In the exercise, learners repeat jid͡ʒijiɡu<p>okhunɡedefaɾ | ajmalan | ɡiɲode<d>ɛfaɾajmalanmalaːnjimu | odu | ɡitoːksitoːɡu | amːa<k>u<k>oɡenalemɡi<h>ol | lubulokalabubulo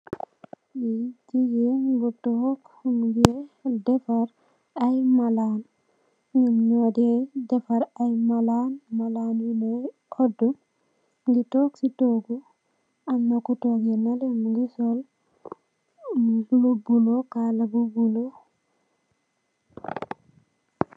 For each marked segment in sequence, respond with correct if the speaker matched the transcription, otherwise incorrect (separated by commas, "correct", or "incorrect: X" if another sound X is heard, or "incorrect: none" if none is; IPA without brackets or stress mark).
incorrect: t, correct, correct, incorrect: t, incorrect: s